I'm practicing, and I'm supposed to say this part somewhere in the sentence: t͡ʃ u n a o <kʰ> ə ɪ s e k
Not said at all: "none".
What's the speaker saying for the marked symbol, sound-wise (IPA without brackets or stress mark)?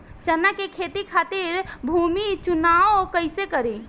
k